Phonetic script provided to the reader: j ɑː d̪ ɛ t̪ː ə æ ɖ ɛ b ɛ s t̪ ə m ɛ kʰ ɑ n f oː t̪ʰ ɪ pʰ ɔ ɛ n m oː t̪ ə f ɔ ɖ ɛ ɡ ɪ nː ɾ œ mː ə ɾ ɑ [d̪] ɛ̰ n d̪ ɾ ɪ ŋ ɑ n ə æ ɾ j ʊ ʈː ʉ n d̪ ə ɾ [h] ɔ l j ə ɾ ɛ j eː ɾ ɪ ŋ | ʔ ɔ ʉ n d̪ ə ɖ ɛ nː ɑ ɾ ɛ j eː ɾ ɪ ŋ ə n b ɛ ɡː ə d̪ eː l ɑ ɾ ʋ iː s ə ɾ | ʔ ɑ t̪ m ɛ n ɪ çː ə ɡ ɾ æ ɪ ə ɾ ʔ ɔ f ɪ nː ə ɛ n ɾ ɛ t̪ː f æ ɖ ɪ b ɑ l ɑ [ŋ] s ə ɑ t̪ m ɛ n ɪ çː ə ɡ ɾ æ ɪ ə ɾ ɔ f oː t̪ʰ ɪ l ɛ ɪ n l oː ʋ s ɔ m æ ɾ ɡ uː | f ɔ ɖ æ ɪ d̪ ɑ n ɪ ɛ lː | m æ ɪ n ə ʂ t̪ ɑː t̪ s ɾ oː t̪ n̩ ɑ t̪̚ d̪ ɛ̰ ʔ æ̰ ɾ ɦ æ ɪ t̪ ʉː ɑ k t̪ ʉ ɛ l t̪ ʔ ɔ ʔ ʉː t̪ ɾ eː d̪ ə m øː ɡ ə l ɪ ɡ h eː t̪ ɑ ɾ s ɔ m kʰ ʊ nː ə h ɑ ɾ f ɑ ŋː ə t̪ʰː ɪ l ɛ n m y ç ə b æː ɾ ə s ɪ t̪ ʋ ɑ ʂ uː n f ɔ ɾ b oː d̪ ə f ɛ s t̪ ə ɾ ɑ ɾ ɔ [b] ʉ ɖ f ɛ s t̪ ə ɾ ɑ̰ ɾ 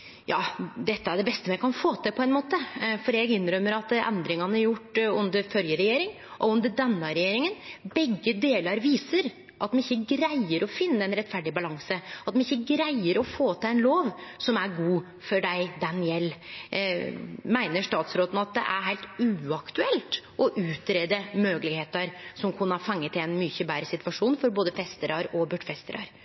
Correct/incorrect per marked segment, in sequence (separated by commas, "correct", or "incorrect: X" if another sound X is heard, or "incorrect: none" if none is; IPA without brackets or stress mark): incorrect: t̪, incorrect: f, correct, correct